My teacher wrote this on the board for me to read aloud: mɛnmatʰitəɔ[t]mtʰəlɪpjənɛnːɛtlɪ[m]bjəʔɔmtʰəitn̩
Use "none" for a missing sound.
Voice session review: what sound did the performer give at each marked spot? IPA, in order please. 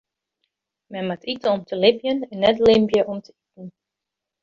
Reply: none, m

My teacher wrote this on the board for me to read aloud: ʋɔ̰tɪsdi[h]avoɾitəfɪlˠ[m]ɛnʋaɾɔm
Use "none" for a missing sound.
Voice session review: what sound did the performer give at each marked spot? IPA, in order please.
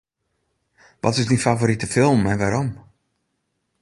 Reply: f, m

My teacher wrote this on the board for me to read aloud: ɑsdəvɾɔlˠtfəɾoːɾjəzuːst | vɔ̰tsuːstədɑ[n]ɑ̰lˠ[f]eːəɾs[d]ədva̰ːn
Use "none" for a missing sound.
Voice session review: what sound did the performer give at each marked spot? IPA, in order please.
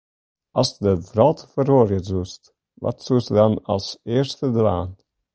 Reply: n, s, t

